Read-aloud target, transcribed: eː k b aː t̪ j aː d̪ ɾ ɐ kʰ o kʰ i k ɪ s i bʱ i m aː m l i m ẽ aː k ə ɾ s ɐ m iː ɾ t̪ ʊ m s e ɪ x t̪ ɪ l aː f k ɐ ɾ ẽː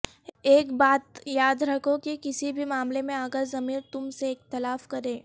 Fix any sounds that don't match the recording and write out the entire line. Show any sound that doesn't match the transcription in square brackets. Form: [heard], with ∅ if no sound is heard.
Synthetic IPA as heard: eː k b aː t̪ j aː d̪ ɾ ɐ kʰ o [k] i k ɪ s i bʱ i m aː m l [e] m ẽ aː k ə ɾ [z] ɐ m iː ɾ t̪ ʊ m s e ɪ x t̪ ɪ l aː f k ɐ ɾ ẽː